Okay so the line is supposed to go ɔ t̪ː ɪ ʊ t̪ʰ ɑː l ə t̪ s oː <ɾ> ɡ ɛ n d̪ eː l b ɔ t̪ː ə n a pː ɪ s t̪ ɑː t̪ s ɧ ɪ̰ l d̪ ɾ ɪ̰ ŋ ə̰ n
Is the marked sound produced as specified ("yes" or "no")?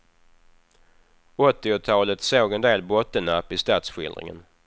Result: no